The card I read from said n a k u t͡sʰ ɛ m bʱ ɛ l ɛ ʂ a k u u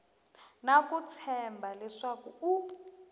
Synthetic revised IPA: n a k u t͡sʰ ɛ m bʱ a l ɛ ʂ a k u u